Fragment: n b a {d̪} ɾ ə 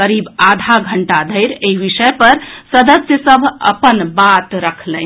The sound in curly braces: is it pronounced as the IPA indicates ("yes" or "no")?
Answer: no